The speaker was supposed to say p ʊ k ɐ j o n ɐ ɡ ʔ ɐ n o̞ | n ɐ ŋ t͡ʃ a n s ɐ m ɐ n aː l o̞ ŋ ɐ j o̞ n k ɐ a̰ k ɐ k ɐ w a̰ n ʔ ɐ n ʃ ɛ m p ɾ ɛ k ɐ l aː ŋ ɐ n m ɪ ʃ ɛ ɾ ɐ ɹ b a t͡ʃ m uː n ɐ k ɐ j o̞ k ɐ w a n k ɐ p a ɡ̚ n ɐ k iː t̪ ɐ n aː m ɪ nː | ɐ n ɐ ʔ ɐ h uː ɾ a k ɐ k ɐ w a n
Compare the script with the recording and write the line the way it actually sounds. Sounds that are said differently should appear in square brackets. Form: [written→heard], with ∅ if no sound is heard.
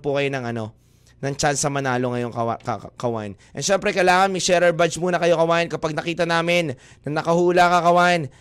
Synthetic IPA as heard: p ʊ k ɐ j o n ɐ [ɡ→ŋ] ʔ ɐ n o̞ | n ɐ ŋ t͡ʃ a n s ɐ m ɐ n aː l o̞ ŋ ɐ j o̞ [n→ŋ] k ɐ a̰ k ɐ k ɐ w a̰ n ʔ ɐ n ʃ ɛ m p ɾ ɛ k ɐ l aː ŋ ɐ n m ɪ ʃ ɛ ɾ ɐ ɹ b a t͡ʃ m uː n ɐ k ɐ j o̞ k ɐ w a n k ɐ p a ɡ̚ n ɐ k iː t̪ ɐ n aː m ɪ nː | ɐ n ɐ [ʔ→k] ɐ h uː [ɾ→l] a k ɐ k ɐ w a n